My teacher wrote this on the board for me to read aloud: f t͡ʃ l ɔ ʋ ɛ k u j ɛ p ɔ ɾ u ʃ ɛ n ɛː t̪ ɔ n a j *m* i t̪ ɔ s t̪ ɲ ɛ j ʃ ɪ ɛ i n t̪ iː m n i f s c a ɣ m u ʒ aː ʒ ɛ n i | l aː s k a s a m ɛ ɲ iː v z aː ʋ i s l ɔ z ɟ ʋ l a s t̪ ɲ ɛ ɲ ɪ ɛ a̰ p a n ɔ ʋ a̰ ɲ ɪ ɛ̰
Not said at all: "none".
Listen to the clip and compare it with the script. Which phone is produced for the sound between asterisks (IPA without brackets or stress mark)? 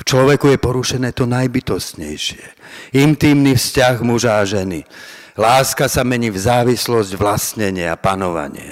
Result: b